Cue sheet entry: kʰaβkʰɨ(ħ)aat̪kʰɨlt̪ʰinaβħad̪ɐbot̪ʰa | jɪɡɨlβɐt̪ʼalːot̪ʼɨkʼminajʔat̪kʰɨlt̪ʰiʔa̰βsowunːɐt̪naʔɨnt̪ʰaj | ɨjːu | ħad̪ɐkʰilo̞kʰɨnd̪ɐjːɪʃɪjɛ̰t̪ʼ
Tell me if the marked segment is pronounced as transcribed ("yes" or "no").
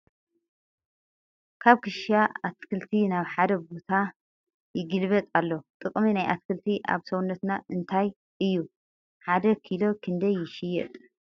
no